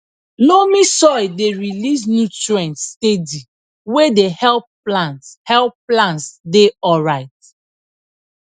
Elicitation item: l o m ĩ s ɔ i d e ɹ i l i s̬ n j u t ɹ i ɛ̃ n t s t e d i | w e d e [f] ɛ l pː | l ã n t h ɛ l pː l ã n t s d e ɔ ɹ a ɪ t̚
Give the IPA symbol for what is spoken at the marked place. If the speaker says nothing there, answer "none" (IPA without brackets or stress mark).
h